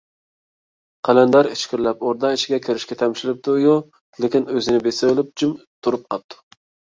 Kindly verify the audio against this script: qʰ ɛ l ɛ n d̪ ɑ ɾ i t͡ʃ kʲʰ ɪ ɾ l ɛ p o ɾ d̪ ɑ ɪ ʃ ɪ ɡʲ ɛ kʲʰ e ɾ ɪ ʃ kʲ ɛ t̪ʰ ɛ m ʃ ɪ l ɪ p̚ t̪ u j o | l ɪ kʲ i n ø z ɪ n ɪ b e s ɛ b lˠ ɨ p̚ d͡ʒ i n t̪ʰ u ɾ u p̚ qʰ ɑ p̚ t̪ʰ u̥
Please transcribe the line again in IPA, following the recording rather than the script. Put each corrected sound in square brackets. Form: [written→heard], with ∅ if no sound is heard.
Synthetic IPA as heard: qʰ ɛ l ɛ n d̪ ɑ ɾ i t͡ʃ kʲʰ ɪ ɾ l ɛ p o ɾ d̪ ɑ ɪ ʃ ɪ ɡʲ ɛ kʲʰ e ɾ ɪ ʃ kʲ ɛ t̪ʰ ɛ m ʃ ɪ l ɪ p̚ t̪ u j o | l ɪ kʲ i n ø z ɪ n ɪ b e s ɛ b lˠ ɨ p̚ d͡ʒ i [n→m] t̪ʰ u ɾ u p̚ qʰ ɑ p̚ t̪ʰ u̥

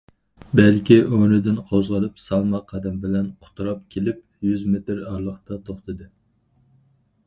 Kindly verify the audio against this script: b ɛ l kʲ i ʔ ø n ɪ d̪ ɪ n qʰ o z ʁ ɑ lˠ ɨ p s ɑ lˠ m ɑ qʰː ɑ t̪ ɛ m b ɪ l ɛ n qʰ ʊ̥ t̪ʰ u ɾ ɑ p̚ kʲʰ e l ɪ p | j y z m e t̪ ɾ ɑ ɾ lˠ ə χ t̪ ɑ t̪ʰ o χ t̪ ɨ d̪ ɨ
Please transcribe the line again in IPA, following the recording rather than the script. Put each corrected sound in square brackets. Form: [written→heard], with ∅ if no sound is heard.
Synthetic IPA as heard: b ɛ l kʲ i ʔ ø n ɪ d̪ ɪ n qʰ o z ʁ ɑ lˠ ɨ p s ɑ lˠ m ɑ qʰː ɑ [t̪→d̪] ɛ m b ɪ l ɛ n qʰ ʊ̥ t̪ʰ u ɾ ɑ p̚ kʲʰ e l ɪ p | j y z m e t̪ ɾ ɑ ɾ lˠ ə χ t̪ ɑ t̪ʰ o χ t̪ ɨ d̪ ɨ

